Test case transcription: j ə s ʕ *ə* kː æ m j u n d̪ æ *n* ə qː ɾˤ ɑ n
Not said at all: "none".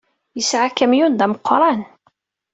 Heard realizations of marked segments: a, m

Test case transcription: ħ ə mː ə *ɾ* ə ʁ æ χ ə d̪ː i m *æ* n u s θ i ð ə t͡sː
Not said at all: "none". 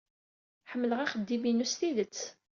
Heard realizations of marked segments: l, i

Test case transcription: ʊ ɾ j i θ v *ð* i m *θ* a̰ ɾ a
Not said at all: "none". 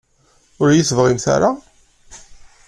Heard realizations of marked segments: ʁ, θ

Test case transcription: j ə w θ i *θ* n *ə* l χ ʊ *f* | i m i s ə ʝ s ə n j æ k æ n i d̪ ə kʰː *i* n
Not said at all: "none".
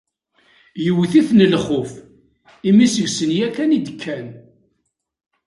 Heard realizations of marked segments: θ, ə, f, æ

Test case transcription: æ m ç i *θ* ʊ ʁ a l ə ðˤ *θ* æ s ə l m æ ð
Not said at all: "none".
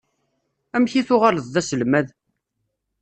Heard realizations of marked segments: θ, ð

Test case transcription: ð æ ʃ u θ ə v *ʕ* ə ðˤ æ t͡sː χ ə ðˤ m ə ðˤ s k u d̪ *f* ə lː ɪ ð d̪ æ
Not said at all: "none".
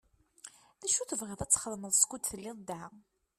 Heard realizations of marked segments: ʁ, θ

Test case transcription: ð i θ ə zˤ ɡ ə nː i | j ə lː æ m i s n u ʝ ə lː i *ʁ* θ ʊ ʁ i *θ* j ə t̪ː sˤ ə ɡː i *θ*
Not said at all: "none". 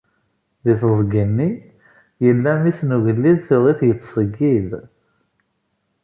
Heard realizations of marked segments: ð, θ, ð

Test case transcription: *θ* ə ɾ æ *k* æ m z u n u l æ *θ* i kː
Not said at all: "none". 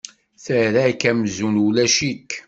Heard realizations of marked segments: θ, k, ʃ

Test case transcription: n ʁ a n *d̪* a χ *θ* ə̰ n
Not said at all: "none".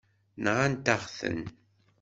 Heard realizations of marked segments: t̪, θ

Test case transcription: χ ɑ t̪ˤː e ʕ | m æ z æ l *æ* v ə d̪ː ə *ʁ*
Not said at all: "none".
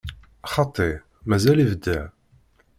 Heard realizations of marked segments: i, ʕ

